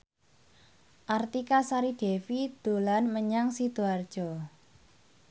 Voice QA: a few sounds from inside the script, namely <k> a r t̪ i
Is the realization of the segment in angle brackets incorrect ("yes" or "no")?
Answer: yes